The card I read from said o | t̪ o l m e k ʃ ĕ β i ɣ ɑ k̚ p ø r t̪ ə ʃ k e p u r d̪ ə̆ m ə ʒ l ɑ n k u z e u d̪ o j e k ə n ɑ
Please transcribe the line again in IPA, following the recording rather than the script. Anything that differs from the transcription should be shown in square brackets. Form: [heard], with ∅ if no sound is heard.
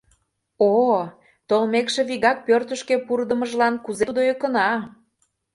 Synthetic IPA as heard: o | t̪ o l m e k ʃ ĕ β i ɣ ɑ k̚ p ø r t̪ ə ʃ k e p u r d̪ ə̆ m ə ʒ l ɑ n k u z e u d̪ o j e k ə n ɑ

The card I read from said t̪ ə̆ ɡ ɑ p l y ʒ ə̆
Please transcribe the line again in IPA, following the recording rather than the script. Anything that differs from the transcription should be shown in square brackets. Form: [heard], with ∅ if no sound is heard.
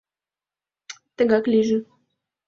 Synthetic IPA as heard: t̪ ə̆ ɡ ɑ [k] l [i] ʒ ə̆

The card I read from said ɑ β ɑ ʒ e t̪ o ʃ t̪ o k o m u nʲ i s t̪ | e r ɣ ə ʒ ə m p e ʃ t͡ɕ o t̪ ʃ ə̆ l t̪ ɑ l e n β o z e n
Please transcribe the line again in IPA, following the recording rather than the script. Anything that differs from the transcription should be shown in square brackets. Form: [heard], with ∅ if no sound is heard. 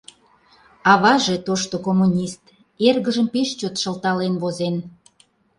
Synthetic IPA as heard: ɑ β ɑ ʒ e t̪ o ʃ t̪ o k o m u nʲ i s t̪ | e r ɣ ə ʒ ə m p e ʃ t͡ɕ o t̪ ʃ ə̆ l t̪ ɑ l e n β o z e n

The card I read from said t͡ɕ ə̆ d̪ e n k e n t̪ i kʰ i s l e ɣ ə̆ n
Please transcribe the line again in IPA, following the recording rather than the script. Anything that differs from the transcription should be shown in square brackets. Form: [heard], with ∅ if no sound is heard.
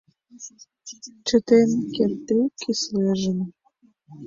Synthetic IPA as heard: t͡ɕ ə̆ [t̪] e n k e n t̪ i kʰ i s l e [ʒ] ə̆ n

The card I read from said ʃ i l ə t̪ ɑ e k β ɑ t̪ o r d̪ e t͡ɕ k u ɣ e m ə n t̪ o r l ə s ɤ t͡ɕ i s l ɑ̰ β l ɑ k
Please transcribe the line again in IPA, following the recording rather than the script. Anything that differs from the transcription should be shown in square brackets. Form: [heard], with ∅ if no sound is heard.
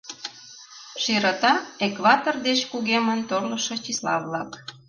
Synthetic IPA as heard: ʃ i [ɾ] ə t̪ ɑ e k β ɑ t̪ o r d̪ e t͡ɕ k u ɣ e m ə n t̪ o r l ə [ʃ] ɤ t͡ɕ i s l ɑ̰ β l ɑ k

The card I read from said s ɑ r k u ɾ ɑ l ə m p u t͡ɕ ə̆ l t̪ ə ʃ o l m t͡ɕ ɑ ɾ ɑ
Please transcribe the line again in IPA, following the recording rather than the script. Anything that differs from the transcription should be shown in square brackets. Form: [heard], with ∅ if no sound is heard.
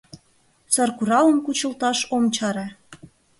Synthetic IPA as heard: s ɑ r k u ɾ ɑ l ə m [k] u t͡ɕ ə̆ l t̪ [ɑ] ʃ o [∅] m t͡ɕ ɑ ɾ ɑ

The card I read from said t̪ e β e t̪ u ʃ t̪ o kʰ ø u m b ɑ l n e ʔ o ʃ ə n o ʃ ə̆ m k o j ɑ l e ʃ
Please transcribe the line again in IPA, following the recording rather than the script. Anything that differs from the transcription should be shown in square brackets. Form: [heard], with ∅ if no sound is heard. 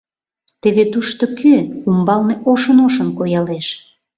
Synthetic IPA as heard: t̪ e β e t̪ u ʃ t̪ o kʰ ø u m b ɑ l n e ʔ o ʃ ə n o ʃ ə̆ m k o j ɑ l e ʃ

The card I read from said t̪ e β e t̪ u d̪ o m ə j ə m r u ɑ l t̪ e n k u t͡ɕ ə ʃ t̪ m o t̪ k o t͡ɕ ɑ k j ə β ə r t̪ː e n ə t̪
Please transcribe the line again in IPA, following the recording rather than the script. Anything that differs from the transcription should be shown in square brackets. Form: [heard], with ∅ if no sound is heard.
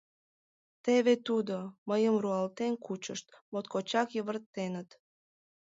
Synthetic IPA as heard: t̪ e β e t̪ u d̪ o m ə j ə m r u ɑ l t̪ e n k u t͡ɕ ə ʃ t̪ m o t̪ k o t͡ɕ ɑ k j ə β ə r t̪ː e n ə t̪

